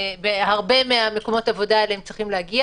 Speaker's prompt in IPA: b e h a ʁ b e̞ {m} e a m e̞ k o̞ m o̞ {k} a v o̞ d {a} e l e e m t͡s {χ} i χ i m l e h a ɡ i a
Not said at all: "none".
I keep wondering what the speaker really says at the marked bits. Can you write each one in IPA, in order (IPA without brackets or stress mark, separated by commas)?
m, t, a, ʁ